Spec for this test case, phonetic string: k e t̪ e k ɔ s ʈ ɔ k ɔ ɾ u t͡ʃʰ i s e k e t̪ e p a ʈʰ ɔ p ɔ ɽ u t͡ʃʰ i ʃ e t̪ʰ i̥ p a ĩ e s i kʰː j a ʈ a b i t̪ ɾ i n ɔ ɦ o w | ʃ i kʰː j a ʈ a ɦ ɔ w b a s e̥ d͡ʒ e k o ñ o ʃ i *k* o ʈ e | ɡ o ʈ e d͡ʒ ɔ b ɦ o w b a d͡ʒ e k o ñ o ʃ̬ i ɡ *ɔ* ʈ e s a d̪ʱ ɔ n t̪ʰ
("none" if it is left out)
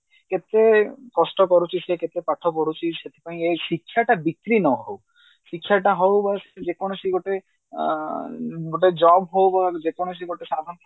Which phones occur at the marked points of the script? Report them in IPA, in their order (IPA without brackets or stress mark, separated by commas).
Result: ɡ, o